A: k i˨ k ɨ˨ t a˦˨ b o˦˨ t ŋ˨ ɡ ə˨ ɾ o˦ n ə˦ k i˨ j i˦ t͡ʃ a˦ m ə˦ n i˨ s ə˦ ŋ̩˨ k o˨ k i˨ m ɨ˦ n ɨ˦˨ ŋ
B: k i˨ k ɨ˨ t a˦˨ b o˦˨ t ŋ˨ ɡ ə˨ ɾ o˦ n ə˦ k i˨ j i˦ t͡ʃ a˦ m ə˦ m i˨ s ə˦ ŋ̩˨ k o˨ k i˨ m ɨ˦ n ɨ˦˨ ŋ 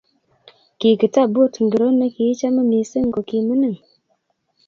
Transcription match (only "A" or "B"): B